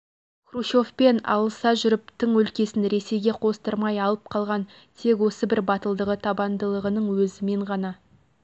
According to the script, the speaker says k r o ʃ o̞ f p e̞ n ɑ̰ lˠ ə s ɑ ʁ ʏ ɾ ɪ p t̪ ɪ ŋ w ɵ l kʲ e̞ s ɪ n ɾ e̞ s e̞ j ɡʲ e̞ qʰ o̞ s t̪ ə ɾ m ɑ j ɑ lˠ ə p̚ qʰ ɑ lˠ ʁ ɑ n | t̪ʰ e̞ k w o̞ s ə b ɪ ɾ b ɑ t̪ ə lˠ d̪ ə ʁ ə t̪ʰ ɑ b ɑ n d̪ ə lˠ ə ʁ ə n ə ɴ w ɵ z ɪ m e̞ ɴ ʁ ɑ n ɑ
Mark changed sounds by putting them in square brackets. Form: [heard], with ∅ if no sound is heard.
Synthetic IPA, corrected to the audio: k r [u] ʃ o̞ f p e̞ n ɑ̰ lˠ ə s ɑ [ʒ] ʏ ɾ ɪ p t̪ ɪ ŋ w ɵ l kʲ e̞ s ɪ n ɾ e̞ s e̞ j ɡʲ e̞ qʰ o̞ s t̪ ə ɾ m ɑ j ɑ lˠ ə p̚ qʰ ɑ lˠ ʁ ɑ n | t̪ʰ e̞ k w o̞ s ə b ɪ ɾ b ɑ t̪ ə lˠ d̪ ə ʁ ə t̪ʰ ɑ b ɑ n d̪ ə lˠ ə ʁ ə n ə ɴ w ɵ z ɪ m e̞ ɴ ʁ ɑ n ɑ